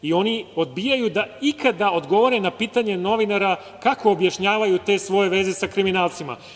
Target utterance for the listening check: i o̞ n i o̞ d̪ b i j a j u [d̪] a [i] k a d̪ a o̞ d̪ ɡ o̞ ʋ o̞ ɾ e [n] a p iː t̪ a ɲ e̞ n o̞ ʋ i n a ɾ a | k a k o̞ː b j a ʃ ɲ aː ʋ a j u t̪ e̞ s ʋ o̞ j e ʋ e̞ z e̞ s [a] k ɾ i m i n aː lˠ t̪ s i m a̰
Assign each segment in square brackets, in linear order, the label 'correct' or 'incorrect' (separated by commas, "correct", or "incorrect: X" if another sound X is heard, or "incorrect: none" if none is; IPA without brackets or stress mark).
correct, correct, correct, correct